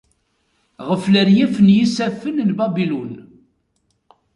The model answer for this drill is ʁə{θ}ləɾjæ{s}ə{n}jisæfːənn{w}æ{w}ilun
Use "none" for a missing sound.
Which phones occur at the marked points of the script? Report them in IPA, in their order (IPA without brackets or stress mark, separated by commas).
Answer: f, f, n, b, b